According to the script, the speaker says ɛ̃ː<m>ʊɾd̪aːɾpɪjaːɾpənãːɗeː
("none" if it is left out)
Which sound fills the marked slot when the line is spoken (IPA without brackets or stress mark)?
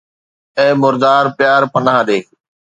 m